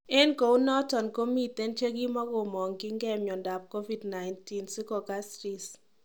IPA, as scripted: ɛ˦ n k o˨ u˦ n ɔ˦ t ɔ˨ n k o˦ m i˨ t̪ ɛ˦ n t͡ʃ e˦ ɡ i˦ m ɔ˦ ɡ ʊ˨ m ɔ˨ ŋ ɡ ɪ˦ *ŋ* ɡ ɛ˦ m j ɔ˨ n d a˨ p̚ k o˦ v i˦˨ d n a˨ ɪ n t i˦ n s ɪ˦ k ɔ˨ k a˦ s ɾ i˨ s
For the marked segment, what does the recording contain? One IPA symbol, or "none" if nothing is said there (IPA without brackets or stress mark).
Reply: ŋ